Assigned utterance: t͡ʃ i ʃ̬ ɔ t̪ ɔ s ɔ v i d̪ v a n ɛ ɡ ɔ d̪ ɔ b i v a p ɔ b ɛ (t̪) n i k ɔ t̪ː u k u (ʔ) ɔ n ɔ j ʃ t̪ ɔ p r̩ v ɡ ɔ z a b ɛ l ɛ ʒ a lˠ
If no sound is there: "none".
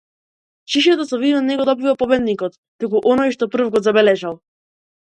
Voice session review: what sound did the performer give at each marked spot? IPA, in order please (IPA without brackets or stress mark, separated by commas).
d̪, ʔ